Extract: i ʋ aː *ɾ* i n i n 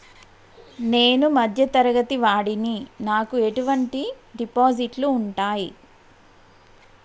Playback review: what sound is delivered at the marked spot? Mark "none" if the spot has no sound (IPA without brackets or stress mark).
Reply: ɽ